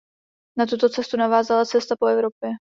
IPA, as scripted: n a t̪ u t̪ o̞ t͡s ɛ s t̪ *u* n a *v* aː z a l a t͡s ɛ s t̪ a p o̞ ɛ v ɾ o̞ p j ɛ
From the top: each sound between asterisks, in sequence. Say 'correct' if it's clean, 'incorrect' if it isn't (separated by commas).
correct, correct